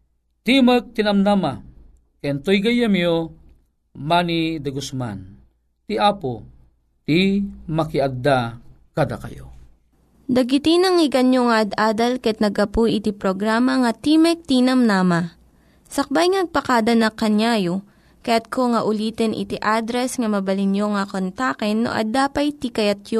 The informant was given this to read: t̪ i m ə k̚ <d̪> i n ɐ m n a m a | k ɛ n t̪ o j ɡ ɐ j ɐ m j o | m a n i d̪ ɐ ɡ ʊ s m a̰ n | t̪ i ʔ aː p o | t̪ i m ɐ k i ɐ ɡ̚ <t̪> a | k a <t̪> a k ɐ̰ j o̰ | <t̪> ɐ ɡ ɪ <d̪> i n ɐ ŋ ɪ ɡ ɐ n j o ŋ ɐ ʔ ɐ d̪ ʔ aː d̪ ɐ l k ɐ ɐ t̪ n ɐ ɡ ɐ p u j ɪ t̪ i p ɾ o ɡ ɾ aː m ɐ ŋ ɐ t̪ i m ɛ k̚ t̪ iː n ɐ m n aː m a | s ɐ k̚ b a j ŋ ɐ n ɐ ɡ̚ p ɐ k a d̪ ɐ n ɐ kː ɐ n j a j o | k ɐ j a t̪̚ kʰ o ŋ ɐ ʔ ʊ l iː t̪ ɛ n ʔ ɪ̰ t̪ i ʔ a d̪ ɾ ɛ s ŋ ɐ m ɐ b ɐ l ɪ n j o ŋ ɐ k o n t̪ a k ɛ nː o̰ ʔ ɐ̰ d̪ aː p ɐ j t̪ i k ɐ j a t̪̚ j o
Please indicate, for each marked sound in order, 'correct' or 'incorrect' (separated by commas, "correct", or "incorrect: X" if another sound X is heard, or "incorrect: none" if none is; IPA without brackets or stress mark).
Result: incorrect: t̪, incorrect: d̪, incorrect: d̪, incorrect: d̪, incorrect: t̪